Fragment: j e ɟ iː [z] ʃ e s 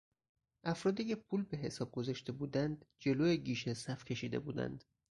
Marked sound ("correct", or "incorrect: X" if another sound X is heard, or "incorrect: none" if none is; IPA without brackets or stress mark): incorrect: none